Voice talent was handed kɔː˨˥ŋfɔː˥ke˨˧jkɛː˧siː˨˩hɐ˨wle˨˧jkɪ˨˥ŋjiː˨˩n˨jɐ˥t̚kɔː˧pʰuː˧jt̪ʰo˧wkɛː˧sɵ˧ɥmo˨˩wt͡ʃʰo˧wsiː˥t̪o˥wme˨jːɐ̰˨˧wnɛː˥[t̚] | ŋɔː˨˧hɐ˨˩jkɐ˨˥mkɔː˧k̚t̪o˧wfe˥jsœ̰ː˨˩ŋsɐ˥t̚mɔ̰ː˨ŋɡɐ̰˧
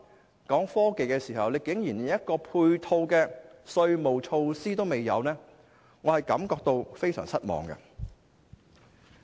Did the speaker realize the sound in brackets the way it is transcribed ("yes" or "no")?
no